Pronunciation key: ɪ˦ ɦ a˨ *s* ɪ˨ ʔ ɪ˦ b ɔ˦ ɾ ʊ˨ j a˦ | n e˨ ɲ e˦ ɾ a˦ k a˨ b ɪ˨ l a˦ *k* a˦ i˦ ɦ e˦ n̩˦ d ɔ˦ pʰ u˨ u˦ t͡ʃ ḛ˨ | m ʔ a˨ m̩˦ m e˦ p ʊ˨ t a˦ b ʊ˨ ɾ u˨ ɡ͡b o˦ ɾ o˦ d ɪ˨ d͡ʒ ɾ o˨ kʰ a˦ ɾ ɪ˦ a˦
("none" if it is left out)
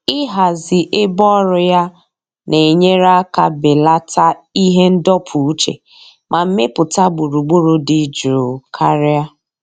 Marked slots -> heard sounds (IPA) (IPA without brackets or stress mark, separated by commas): z, t